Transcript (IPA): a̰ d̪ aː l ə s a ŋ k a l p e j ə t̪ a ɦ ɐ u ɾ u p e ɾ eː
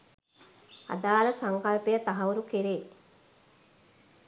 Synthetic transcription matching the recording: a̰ d̪ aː l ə s a ŋ k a l p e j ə t̪ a ɦ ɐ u ɾ u k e ɾ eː